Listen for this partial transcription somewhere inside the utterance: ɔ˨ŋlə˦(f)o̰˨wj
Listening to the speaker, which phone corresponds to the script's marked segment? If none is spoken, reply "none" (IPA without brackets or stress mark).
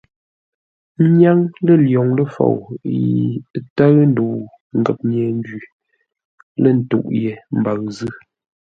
f